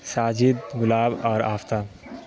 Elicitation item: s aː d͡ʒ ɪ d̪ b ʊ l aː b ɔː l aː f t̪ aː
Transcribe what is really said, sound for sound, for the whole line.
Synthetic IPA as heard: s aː d͡ʒ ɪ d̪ ɡ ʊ l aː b ɔː ɾ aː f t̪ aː